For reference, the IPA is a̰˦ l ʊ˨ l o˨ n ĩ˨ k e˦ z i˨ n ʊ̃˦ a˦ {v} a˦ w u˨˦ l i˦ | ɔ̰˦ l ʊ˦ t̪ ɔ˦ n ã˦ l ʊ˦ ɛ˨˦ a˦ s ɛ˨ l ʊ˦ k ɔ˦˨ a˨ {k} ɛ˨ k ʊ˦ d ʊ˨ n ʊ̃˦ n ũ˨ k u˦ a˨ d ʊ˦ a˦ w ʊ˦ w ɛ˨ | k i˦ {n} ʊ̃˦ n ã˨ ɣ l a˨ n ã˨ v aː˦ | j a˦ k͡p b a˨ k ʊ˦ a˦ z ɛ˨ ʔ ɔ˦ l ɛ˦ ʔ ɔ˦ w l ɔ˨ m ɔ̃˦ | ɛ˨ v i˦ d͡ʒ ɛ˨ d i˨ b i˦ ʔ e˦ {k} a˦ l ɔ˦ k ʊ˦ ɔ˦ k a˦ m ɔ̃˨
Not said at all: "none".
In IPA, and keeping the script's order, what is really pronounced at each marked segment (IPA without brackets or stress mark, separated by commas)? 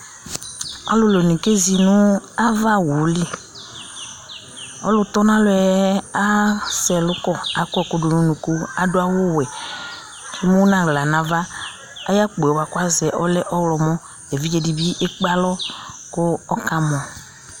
v, k, m, k͡p